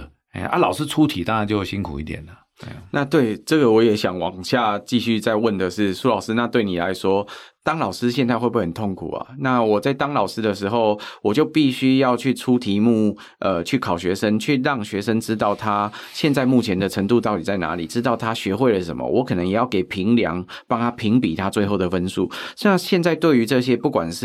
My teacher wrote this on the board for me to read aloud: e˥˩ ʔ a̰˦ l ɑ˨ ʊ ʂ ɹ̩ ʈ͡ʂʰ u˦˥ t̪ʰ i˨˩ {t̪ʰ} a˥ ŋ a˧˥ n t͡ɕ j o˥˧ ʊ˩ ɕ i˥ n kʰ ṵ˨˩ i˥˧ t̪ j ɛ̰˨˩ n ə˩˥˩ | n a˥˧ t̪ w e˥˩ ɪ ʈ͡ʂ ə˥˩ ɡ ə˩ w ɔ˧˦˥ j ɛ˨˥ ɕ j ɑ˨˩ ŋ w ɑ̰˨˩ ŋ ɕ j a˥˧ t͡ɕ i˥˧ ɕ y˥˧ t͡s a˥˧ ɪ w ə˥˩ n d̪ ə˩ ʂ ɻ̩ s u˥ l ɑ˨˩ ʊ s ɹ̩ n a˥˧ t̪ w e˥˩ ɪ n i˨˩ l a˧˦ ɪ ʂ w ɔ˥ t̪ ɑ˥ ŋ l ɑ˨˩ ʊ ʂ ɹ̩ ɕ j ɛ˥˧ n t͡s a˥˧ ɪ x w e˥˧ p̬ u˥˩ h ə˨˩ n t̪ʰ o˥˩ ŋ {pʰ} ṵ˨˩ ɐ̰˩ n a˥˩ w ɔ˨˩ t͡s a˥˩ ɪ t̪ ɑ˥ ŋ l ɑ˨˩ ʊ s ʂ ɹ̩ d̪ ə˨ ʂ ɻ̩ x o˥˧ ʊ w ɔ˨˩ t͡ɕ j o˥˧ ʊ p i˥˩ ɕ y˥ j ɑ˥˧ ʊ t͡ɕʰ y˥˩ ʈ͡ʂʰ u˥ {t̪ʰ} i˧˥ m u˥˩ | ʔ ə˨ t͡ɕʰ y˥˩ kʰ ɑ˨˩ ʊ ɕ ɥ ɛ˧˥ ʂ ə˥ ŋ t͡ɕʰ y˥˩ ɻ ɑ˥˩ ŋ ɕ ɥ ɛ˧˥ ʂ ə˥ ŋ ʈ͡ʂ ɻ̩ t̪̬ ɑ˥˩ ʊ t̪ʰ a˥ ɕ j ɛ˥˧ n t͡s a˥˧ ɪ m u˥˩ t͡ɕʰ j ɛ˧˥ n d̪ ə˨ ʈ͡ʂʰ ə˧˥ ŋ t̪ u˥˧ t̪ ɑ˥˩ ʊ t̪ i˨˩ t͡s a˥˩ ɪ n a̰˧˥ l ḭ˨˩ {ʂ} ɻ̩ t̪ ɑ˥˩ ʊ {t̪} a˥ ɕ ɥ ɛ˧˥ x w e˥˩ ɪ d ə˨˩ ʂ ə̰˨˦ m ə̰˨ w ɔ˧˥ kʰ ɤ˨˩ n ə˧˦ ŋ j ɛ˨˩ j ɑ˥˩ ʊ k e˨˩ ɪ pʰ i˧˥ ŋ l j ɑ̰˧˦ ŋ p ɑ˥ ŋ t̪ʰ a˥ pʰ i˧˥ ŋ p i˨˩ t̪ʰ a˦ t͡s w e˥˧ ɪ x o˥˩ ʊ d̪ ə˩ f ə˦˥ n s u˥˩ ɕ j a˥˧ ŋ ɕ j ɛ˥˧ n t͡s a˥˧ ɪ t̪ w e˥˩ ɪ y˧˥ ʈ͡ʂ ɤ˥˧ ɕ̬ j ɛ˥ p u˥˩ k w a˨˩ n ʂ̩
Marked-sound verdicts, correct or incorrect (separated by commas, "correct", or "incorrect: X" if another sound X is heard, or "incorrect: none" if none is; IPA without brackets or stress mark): incorrect: t̪, incorrect: kʰ, correct, incorrect: ʈ͡ʂ, incorrect: t̪ʰ